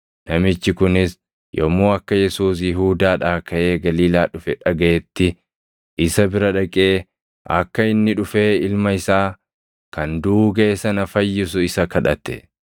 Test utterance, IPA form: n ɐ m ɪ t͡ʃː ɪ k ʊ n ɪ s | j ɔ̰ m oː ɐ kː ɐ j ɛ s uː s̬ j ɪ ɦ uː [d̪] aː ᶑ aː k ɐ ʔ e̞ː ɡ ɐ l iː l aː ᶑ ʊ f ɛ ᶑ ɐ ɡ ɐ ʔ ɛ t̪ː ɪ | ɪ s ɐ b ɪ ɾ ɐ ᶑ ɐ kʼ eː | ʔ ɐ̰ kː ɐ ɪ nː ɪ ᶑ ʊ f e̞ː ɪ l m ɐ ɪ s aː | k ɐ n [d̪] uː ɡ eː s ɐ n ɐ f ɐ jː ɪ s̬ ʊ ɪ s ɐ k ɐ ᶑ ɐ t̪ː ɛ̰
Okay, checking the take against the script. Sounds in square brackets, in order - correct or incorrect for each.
correct, correct

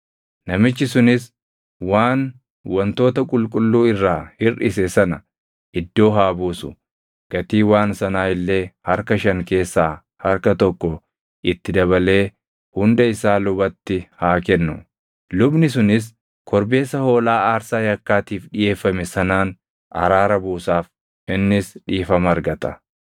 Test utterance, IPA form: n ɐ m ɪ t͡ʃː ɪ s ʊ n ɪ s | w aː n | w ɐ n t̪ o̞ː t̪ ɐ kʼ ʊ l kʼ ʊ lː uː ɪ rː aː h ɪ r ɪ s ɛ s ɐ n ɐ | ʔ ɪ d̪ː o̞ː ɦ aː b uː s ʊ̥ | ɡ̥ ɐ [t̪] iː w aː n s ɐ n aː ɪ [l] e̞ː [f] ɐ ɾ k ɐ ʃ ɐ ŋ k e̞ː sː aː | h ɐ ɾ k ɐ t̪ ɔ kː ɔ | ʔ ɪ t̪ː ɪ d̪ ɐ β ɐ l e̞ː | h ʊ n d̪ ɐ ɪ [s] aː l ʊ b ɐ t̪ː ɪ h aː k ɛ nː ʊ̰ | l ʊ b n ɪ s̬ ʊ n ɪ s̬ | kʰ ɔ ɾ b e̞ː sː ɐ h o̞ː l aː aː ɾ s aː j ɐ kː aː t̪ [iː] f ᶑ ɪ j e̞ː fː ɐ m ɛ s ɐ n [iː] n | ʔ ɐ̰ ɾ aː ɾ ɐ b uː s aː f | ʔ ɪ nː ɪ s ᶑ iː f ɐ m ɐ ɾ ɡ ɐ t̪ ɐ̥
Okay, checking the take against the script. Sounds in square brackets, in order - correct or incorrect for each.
correct, incorrect: lː, incorrect: h, correct, correct, incorrect: aː

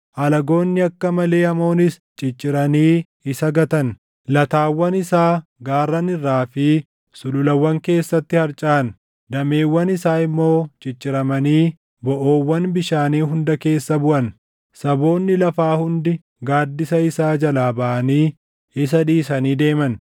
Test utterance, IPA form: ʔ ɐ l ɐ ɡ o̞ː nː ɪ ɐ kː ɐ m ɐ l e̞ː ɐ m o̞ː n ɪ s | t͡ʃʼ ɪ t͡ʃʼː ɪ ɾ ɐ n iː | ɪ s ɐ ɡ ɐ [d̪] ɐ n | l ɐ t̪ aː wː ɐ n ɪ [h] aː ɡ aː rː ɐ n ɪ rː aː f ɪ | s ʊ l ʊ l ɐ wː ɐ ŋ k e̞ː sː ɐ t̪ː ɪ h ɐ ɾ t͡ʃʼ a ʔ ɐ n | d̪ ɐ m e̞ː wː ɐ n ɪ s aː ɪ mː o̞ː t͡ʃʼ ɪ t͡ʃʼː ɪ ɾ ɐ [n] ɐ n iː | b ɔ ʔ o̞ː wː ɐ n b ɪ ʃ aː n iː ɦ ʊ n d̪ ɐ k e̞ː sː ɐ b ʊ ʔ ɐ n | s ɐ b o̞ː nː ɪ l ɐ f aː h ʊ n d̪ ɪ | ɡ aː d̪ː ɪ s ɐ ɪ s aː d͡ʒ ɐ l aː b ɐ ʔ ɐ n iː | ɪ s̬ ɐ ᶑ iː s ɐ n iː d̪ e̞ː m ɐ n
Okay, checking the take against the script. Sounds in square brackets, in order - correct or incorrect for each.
incorrect: t̪, incorrect: s, incorrect: m

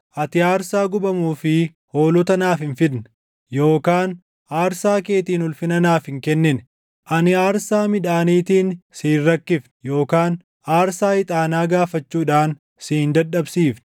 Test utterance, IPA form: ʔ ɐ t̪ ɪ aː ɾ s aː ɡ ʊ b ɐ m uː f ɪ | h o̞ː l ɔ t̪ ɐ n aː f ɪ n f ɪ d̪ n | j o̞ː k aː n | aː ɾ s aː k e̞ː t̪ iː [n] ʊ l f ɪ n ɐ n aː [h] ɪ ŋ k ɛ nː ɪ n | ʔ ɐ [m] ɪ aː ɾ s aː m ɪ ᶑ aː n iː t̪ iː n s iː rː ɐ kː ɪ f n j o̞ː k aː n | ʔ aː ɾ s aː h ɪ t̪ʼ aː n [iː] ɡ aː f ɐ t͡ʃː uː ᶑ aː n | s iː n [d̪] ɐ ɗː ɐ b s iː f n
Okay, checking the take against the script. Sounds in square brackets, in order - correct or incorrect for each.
correct, incorrect: f, incorrect: n, incorrect: aː, correct

